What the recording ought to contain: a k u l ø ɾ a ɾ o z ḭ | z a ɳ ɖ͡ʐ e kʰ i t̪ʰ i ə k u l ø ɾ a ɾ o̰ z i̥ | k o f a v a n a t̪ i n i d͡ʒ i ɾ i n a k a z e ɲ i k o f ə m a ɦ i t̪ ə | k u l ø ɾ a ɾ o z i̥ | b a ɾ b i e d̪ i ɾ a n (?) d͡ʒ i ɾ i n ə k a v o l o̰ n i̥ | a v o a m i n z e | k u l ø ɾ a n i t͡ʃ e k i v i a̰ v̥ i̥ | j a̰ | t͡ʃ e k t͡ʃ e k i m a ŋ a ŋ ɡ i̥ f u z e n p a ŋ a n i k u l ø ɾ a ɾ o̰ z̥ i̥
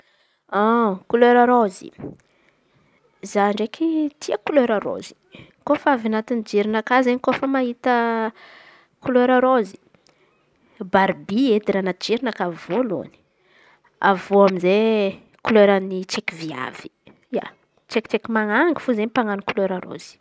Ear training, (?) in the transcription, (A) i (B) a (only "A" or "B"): B